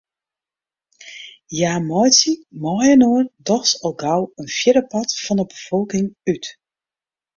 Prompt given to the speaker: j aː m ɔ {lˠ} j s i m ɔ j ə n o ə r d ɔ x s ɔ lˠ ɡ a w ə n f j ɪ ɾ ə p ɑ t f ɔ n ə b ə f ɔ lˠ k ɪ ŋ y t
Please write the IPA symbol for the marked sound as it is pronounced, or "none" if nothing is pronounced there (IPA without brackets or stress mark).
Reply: none